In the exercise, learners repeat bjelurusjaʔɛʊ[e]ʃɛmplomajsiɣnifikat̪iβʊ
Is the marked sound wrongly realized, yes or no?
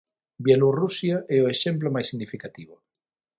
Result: no